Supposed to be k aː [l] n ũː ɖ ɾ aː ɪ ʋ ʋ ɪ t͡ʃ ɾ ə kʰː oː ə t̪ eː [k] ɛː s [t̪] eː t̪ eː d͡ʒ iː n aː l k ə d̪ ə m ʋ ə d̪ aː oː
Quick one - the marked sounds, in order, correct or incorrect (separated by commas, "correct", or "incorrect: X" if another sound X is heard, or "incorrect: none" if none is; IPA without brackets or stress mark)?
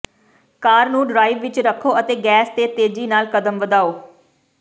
incorrect: ɾ, incorrect: ɡ, correct